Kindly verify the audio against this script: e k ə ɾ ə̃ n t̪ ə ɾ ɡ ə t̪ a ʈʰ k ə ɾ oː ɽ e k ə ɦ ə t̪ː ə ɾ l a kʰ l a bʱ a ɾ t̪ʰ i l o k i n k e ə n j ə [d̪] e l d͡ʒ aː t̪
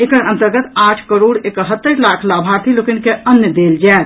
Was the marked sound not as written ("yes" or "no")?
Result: no